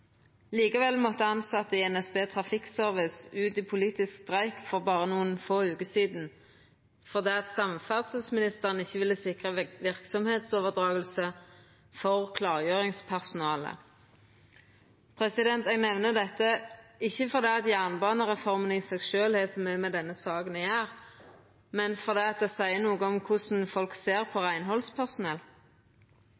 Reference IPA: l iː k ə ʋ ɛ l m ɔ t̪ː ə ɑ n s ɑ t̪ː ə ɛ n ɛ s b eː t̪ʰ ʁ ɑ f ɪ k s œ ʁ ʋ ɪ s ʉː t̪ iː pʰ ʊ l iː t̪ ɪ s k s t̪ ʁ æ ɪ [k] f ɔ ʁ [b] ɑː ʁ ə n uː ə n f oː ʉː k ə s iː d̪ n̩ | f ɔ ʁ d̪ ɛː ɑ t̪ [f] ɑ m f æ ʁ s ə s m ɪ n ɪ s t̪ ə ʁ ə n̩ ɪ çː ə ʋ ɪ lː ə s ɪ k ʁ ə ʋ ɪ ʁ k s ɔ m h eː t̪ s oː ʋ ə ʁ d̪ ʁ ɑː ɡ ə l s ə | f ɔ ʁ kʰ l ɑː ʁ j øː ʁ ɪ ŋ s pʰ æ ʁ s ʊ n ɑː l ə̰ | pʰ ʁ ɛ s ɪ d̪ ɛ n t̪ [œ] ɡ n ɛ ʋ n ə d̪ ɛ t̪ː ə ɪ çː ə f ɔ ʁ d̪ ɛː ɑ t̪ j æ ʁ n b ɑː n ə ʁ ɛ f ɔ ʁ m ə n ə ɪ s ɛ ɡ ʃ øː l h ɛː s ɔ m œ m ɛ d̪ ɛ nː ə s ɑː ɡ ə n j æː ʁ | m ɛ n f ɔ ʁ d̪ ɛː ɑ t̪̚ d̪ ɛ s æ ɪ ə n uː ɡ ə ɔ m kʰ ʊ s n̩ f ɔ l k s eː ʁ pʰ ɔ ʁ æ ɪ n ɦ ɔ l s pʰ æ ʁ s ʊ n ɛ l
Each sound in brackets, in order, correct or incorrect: correct, correct, incorrect: s, incorrect: ɛ

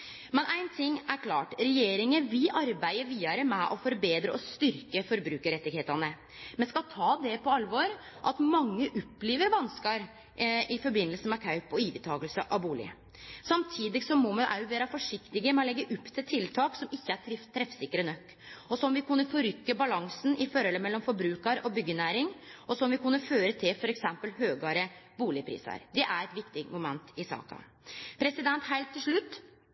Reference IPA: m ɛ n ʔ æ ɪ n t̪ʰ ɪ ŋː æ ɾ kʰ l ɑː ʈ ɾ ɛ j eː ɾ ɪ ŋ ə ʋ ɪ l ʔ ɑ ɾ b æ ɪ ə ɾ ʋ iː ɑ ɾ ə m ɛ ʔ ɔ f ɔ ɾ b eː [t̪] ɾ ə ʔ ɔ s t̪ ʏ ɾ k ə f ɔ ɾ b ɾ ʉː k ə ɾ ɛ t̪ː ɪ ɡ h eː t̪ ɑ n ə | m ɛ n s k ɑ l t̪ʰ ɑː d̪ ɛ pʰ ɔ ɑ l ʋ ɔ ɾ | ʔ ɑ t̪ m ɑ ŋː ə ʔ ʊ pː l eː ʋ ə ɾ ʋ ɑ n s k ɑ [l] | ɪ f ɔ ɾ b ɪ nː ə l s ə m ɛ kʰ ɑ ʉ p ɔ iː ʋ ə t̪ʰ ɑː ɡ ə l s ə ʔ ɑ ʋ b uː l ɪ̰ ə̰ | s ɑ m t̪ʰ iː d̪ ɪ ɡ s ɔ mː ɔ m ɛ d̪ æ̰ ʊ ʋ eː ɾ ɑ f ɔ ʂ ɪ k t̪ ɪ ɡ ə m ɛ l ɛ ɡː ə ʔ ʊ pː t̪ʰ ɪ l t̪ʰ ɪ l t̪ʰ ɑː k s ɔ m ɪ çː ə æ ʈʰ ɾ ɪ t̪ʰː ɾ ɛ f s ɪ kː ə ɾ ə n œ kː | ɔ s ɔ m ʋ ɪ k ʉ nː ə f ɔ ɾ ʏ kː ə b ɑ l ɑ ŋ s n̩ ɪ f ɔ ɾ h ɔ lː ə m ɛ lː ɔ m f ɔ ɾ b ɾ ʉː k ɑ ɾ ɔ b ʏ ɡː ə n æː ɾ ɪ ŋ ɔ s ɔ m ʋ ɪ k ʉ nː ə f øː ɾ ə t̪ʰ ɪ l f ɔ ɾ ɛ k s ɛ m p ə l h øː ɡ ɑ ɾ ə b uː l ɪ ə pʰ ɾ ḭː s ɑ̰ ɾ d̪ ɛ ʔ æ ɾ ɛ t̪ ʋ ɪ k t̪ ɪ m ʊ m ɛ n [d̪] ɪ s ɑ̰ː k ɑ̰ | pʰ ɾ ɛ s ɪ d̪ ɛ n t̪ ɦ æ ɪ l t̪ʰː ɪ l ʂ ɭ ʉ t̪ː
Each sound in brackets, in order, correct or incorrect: incorrect: d̪, incorrect: ɾ, incorrect: t̪

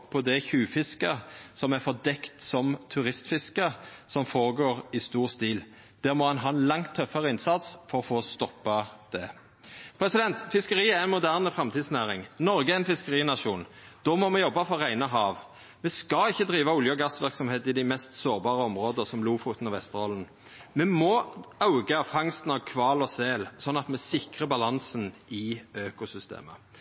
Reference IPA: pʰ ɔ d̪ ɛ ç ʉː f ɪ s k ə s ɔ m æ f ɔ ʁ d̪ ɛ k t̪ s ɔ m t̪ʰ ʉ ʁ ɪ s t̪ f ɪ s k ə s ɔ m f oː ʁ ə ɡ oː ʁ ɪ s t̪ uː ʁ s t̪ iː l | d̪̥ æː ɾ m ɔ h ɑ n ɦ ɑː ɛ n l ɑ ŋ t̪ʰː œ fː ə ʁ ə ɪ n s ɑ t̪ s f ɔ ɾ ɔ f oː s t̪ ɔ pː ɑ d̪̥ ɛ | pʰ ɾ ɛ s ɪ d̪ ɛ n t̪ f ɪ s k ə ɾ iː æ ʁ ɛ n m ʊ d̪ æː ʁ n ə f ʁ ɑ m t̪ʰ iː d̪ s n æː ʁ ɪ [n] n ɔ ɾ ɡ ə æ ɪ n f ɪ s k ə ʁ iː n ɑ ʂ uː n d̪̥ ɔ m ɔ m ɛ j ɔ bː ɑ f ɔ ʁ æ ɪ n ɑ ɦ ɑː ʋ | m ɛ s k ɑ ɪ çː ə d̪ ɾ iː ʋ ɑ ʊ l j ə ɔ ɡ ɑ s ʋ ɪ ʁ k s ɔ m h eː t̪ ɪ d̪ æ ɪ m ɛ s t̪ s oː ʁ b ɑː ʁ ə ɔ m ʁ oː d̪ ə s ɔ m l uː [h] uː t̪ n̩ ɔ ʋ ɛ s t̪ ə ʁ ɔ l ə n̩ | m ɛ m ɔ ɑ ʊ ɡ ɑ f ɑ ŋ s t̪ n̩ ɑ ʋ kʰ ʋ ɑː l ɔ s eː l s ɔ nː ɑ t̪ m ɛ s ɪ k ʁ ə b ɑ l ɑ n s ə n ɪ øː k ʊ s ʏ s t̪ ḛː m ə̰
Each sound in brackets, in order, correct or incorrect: incorrect: ŋ, incorrect: f

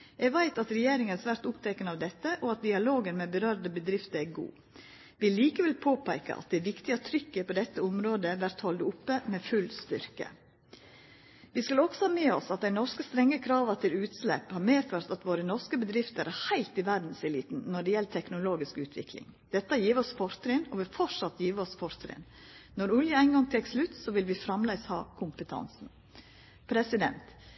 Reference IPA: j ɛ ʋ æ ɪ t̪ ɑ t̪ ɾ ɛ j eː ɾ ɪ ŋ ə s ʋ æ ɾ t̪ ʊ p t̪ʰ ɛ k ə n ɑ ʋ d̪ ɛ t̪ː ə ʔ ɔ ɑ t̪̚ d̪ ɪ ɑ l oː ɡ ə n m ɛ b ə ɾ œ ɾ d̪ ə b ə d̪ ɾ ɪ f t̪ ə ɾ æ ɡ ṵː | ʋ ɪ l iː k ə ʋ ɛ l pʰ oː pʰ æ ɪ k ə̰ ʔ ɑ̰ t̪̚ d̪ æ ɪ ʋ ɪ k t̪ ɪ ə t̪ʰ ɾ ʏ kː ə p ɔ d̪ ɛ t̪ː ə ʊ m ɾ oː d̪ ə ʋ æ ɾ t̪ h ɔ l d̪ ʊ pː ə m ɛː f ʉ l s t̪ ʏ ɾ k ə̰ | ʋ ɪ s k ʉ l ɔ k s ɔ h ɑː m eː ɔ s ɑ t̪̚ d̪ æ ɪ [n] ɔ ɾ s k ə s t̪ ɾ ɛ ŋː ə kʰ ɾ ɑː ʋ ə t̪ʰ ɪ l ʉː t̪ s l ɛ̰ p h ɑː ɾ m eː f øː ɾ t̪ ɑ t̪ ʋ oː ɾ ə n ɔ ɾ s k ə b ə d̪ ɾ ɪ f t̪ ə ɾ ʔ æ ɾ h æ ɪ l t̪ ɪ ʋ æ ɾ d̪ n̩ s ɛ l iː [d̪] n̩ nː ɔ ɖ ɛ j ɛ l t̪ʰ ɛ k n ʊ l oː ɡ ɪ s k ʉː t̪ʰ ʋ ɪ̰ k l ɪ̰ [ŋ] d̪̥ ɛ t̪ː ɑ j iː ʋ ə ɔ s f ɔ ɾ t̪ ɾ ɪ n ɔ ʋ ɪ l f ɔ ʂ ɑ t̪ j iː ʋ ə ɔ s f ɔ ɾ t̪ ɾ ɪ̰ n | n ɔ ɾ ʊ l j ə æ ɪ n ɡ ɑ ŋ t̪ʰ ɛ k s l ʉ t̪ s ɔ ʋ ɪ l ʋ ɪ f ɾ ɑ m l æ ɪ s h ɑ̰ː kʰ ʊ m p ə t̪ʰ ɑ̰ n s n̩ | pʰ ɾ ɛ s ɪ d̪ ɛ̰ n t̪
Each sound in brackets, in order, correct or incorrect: correct, incorrect: t̪, correct

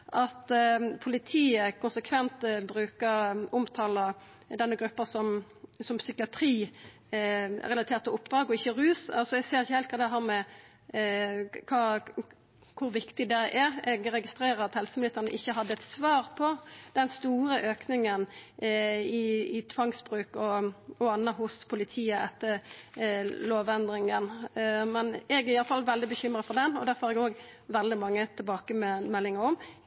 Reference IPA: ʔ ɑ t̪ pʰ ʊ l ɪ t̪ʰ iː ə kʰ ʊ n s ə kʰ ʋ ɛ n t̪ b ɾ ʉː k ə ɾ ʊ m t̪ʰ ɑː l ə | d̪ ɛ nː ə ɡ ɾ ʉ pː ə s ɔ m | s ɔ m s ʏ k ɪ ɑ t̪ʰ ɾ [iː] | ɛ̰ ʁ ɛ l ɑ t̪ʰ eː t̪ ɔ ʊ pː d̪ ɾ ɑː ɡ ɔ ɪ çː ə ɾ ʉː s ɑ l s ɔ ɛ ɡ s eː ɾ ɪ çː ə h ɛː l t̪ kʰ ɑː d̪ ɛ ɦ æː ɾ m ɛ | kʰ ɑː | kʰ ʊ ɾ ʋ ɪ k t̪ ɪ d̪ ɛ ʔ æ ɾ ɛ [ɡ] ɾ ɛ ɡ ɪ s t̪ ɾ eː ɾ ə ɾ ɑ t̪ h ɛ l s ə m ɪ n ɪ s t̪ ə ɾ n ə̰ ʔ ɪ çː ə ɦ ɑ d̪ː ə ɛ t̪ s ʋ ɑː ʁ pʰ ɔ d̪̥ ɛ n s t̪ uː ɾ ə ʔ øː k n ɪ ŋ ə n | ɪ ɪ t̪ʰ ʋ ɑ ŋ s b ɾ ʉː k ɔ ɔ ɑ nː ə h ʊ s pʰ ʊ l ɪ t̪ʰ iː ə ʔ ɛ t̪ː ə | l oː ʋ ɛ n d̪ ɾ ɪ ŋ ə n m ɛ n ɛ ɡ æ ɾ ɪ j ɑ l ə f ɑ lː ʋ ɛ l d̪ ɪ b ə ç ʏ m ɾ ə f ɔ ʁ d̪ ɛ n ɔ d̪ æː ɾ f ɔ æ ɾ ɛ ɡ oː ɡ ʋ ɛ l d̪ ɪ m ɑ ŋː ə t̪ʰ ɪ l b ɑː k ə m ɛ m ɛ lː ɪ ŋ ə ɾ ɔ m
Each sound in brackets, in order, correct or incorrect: correct, correct

